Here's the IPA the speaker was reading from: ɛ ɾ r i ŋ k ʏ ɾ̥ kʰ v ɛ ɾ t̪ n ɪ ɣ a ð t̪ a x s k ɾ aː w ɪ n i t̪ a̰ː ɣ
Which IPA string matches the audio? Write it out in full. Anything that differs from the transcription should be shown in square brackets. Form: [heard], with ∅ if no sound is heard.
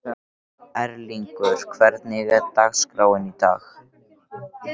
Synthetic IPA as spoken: ɛ ɾ [l] i ŋ k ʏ ɾ̥ kʰ v ɛ ɾ t̪ n ɪ ɣ [ɛ] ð t̪ a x s k ɾ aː w ɪ n i t̪ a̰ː [x]